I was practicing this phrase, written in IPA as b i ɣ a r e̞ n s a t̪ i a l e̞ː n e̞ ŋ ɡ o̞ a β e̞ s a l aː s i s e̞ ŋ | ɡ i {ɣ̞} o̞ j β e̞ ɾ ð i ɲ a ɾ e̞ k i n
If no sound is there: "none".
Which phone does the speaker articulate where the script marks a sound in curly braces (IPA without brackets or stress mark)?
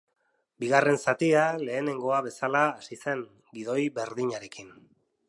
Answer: ð̞